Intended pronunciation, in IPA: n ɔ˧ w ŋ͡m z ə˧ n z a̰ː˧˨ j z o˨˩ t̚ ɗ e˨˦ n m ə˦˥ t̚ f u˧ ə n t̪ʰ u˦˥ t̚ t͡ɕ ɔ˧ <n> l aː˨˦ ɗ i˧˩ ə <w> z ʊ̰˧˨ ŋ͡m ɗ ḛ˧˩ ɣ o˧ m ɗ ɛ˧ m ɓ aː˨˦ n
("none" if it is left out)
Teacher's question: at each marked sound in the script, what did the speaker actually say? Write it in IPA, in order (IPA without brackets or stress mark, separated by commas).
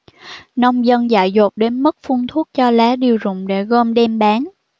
none, w